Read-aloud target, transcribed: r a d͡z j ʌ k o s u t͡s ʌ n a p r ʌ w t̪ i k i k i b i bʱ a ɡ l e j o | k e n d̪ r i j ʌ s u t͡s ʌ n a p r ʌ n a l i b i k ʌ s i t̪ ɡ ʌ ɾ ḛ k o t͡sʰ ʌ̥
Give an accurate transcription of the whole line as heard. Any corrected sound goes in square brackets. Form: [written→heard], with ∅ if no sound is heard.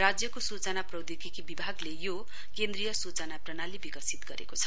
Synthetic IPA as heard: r a d͡z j ʌ k o s u t͡s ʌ n a p r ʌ w [t̪→d̪] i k i k i b i bʱ a ɡ l e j o | k e n d̪ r i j ʌ s u t͡s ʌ n a p r ʌ n a l i b i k ʌ s i t̪ ɡ ʌ ɾ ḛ k o t͡sʰ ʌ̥